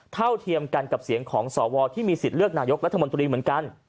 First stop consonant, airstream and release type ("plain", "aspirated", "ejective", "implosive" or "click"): aspirated